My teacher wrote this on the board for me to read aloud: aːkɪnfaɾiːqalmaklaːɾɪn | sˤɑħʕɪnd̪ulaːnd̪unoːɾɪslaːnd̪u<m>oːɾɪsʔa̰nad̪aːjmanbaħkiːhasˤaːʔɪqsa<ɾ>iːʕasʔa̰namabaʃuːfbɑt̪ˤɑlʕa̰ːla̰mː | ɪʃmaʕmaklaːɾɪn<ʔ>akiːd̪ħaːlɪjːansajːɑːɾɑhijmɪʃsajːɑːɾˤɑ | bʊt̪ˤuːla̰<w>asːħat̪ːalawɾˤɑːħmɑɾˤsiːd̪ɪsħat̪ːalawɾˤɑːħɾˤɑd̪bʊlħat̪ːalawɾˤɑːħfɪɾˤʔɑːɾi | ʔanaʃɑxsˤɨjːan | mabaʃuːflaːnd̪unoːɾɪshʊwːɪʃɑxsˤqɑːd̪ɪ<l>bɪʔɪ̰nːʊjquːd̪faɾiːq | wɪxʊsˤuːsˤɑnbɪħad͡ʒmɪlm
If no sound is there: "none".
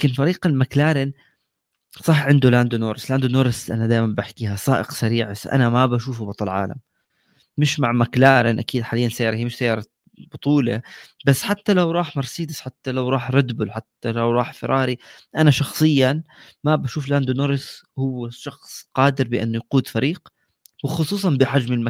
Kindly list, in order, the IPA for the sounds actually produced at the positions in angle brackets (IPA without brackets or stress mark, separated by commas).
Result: n, ɾ, ʔ, b, ɾ